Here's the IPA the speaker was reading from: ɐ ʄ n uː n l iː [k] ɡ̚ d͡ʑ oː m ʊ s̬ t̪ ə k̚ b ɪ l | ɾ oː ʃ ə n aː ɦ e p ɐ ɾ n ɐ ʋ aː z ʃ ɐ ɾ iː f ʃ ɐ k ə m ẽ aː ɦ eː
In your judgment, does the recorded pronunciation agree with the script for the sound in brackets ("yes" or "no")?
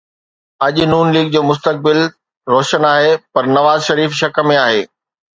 no